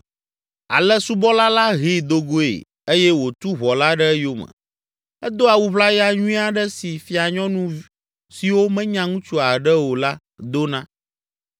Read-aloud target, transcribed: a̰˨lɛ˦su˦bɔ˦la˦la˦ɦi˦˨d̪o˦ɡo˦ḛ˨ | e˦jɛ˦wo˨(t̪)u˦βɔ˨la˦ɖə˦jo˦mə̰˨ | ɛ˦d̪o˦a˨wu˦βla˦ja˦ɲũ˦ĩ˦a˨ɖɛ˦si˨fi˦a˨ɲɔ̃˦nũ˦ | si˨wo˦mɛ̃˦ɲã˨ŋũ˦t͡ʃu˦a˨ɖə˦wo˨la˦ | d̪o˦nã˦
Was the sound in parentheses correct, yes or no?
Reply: yes